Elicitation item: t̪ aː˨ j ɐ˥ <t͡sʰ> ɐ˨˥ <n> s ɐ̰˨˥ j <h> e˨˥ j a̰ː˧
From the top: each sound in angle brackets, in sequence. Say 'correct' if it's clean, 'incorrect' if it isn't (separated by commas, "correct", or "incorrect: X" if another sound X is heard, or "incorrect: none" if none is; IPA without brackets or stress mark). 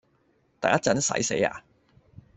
incorrect: t͡s, correct, incorrect: s